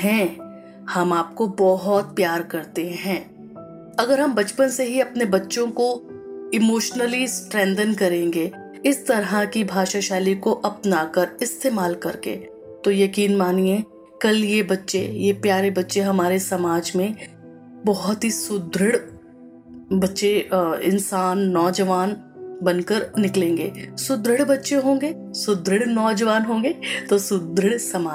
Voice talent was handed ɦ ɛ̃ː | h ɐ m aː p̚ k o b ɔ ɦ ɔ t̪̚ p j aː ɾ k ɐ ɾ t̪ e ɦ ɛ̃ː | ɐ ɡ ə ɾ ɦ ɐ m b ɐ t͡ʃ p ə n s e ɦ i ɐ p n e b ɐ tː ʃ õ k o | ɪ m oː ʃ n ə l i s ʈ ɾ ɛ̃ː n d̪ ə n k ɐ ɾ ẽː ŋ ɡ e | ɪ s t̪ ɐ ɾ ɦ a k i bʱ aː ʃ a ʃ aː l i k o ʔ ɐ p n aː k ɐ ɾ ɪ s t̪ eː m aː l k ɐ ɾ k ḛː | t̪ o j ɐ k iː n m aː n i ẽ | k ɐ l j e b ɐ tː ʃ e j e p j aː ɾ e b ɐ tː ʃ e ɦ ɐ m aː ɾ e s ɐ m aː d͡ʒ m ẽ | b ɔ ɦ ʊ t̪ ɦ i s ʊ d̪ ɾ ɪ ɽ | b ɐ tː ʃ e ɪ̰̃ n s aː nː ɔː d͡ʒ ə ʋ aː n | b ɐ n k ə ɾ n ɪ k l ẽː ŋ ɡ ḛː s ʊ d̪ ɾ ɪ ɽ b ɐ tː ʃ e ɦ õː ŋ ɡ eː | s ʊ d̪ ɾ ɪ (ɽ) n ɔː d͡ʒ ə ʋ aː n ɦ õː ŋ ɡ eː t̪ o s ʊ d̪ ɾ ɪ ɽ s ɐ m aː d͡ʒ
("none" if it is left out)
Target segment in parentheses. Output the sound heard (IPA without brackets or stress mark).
ɽ